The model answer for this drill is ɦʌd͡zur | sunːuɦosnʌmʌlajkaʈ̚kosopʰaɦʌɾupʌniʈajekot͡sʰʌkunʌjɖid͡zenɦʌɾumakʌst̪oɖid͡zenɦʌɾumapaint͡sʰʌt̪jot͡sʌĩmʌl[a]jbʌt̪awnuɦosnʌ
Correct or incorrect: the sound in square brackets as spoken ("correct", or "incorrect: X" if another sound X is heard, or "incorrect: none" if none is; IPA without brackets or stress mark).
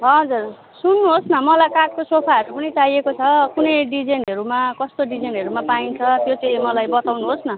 correct